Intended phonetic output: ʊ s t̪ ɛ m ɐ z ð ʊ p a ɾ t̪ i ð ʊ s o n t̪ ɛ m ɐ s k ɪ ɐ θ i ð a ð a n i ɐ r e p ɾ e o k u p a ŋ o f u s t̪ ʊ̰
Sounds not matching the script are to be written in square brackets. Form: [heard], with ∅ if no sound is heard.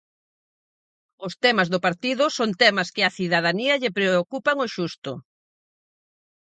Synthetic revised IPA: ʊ s t̪ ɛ m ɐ z ð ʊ p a ɾ t̪ i ð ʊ s o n t̪ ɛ m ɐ s k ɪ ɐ θ i ð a ð a n i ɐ [ʎ] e p ɾ e o k u p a ŋ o [ʃ] u s t̪ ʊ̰